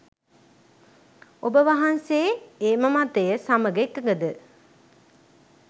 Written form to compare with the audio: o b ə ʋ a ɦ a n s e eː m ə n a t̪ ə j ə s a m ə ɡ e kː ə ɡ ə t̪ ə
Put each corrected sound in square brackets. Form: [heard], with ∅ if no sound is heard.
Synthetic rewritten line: o b ə ʋ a ɦ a n s e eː m ə [m] a t̪ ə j ə s a m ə ɡ e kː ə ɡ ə [d̪] ə

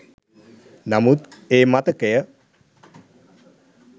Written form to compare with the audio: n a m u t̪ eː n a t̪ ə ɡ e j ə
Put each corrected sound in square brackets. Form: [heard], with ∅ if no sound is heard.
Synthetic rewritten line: n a m u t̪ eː [m] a t̪ ə [k] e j ə

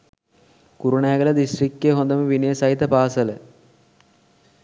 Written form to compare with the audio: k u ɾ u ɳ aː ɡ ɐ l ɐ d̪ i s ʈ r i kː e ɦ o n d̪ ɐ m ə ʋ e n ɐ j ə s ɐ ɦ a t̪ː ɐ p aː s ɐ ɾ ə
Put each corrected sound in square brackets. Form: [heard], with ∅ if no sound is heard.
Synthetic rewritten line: k u ɾ u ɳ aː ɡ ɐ l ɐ d̪ i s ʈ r i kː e ɦ o n d̪ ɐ m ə ʋ [i] n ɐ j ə s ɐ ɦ [i] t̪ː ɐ p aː s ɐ [l] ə

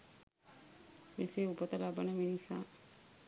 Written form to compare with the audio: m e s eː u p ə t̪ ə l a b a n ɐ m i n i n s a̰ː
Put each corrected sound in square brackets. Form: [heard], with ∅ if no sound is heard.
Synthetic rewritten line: m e s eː u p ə t̪ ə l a b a n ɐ m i n i [∅] s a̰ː

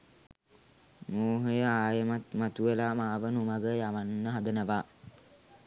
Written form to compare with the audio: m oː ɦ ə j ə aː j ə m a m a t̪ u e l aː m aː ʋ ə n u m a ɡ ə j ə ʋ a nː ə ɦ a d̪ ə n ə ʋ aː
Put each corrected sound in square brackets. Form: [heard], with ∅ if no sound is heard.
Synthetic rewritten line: m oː ɦ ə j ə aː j ə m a m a t̪ u e l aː m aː ʋ ə n u m a ɡ ə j [a] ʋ a nː ə ɦ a d̪ ə n ə ʋ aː

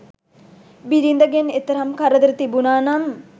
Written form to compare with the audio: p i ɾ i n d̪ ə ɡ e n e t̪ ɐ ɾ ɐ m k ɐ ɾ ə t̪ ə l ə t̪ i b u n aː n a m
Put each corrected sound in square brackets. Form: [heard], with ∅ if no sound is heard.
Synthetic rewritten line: [b] i ɾ i n d̪ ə ɡ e n e t̪ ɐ ɾ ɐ m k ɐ ɾ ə [d̪] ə [ɾ] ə t̪ i b u n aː n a m

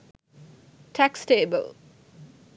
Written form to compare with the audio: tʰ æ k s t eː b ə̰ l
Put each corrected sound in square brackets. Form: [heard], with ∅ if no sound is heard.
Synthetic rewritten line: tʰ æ k s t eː b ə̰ l

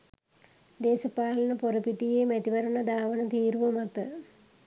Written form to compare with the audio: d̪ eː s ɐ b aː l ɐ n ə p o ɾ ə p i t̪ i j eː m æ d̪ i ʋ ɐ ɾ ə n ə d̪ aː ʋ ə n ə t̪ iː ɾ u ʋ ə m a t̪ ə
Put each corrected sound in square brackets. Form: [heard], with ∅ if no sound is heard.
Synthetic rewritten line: d̪ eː s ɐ [p] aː l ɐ n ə p o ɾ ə p i t̪ i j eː m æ [t̪] i ʋ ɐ ɾ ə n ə d̪ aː ʋ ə n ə t̪ iː ɾ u ʋ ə m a t̪ ə

